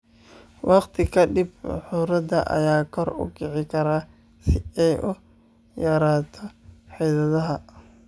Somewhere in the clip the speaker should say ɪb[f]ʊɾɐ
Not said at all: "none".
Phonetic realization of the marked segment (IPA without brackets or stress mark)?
ħ